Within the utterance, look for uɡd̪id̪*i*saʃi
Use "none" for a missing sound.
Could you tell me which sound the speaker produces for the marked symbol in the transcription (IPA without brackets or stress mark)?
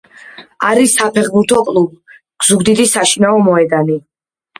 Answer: i